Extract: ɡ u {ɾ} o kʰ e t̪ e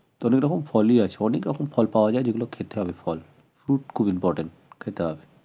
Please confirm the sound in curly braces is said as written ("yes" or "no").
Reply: no